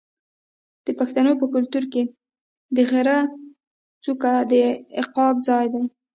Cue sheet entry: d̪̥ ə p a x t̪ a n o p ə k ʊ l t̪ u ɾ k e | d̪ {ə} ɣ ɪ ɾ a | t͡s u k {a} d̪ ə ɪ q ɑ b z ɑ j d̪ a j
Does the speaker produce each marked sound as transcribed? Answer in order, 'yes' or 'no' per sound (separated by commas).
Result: yes, yes